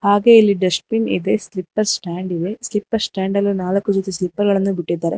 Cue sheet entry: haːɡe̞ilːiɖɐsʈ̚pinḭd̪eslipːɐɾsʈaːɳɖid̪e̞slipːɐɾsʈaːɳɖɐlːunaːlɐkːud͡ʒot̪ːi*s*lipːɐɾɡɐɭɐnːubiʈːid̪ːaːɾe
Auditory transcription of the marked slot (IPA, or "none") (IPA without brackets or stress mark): s